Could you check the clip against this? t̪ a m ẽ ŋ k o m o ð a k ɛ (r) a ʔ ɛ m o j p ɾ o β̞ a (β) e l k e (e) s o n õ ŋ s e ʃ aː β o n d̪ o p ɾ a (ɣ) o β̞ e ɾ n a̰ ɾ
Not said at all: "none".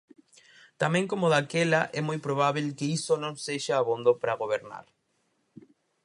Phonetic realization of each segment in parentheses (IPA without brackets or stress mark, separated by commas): l, β, i, ɣ